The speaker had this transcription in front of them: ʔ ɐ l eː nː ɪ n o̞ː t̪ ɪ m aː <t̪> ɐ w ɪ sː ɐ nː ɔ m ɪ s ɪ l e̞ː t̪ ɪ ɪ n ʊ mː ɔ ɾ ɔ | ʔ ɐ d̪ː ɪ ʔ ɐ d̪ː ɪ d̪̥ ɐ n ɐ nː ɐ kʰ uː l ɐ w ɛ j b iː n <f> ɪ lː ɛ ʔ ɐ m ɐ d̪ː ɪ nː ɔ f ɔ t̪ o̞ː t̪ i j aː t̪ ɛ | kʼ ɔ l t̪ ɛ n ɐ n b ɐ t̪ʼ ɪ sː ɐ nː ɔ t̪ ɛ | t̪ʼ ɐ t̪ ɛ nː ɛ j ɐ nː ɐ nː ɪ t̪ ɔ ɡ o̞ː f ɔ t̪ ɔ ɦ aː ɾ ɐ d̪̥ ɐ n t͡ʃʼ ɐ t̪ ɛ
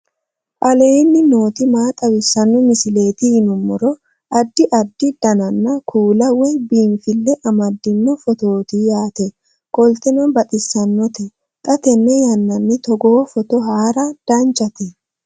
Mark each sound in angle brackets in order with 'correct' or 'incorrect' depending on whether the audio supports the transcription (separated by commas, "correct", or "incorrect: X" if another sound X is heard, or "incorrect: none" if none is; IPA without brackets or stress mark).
incorrect: t̪ʼ, correct